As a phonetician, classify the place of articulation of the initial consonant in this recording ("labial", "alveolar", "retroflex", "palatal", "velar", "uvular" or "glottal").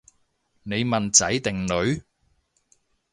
alveolar